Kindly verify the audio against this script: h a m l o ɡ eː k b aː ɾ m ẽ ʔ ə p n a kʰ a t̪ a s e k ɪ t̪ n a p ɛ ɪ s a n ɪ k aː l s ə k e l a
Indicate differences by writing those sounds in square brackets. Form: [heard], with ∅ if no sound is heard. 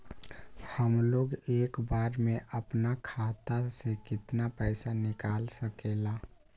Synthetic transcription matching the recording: h [ə] m l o ɡ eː k b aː ɾ m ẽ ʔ ə p n a kʰ a t̪ a s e k ɪ t̪ n a p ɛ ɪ s a n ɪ k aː l s ə k e l a